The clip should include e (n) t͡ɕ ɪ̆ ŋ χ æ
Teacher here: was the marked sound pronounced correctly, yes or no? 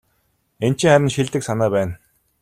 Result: yes